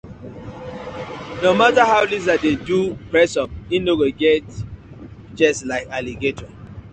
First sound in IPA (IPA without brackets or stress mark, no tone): n